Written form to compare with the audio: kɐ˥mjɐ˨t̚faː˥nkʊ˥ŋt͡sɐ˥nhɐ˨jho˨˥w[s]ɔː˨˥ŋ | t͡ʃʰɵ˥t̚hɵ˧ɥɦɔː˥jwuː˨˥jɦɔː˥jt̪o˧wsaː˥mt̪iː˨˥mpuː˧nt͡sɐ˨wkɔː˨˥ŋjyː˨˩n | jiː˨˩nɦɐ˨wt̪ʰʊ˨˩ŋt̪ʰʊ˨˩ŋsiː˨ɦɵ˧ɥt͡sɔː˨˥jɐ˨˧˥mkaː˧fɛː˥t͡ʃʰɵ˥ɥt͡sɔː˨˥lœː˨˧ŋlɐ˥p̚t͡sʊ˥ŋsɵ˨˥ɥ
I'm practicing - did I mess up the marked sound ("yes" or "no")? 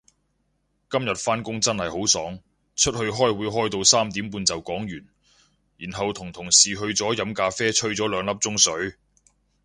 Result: no